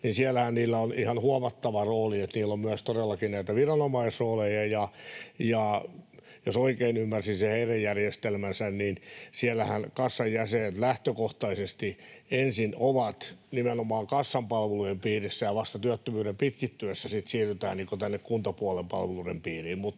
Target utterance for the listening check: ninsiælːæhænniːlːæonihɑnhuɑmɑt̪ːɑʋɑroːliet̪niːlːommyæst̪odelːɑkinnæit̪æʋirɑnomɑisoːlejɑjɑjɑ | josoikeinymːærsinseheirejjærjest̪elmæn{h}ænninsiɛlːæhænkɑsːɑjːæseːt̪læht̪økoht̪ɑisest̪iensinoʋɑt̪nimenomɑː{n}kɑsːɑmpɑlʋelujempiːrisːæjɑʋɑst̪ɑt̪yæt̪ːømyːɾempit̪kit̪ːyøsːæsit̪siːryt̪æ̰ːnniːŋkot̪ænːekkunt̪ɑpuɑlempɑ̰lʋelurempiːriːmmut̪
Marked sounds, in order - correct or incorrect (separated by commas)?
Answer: incorrect, incorrect